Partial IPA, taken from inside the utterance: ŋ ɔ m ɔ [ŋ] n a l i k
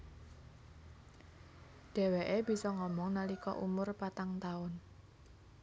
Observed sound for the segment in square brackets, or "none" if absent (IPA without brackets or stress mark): ŋ